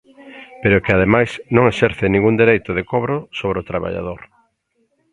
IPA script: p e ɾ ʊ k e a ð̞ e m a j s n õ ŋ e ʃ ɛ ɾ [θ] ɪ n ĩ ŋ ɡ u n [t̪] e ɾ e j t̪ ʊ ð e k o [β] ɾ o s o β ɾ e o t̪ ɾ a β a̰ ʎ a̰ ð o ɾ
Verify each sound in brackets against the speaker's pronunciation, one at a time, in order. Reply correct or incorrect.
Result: correct, incorrect: d̪, correct

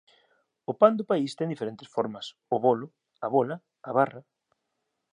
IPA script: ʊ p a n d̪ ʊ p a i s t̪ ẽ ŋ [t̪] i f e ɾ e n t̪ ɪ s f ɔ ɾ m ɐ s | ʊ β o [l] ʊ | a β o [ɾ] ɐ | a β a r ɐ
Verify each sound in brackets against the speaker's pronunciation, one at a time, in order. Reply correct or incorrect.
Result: incorrect: d̪, correct, incorrect: l

